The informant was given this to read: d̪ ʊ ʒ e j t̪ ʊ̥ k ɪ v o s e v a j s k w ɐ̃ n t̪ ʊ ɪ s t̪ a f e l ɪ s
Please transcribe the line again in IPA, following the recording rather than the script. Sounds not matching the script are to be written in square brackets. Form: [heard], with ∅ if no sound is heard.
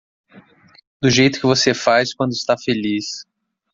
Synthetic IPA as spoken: d̪ ʊ ʒ e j t̪ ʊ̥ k ɪ v o s e [f] a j s k w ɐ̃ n [d̪] ʊ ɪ s t̪ a f e l [i] s